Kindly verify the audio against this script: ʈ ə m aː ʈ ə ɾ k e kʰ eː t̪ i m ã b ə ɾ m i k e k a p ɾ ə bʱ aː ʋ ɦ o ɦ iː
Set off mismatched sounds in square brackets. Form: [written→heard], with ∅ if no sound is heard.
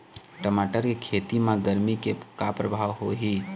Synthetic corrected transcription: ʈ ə m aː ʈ ə ɾ k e kʰ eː t̪ i m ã [b→ɡ] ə ɾ m i k e k a p ɾ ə bʱ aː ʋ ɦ o ɦ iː